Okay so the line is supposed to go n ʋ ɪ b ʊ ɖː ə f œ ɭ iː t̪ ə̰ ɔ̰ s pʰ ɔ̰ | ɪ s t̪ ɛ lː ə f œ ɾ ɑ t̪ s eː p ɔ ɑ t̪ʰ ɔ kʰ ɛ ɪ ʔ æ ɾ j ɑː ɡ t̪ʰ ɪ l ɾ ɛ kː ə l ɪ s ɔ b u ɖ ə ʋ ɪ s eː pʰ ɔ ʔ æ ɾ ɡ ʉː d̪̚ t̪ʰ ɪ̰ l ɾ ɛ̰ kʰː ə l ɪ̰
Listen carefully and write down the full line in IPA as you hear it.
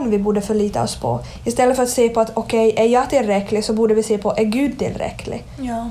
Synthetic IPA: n ʋ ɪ b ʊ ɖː ə f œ ɭ iː t̪ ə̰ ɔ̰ s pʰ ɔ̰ | ɪ s t̪ ɛ lː ə f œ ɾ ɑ t̪ s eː p ɔ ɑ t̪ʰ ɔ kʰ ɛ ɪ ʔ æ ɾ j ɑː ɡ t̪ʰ ɪ l ɾ ɛ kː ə l ɪ s ɔ b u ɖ ə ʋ ɪ s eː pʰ ɔ ʔ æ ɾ ɡ ʉː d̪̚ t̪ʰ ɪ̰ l ɾ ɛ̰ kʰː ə l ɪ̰